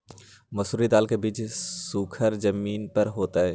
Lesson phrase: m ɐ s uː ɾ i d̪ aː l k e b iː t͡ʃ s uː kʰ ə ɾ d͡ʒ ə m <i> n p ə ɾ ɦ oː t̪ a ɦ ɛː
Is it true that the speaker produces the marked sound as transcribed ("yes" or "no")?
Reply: no